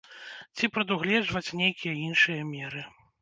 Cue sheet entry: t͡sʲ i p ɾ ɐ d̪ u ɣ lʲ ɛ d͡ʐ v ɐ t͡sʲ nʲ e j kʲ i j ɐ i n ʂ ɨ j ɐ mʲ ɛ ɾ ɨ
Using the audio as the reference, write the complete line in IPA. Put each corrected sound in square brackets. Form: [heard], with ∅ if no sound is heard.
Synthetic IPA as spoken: t͡sʲ i p ɾ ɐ d̪ u ɣ lʲ ɛ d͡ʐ v ɐ t͡sʲ nʲ e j kʲ i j ɐ i n ʂ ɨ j ɐ mʲ ɛ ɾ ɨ